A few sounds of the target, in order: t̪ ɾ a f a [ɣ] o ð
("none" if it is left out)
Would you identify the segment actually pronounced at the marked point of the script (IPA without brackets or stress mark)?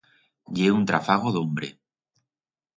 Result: ɣ